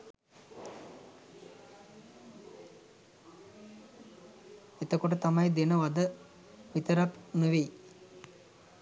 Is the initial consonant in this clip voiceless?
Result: yes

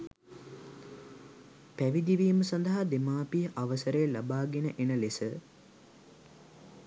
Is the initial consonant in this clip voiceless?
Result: yes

